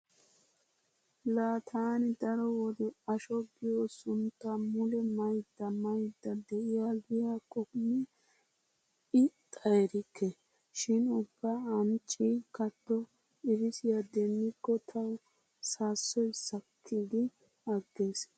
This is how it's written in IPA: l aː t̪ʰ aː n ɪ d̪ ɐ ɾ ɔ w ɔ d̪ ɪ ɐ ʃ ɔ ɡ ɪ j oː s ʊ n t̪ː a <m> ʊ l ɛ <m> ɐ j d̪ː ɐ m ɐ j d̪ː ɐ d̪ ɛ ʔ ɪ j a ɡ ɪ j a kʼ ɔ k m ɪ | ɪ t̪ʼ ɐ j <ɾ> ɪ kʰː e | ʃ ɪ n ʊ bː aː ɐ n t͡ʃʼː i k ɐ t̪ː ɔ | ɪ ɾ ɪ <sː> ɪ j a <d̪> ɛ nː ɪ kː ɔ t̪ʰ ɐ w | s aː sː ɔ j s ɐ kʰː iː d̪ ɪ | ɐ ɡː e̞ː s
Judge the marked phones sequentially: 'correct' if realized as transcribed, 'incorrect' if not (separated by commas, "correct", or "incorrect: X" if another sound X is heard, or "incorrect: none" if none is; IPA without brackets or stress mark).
correct, correct, correct, incorrect: s, correct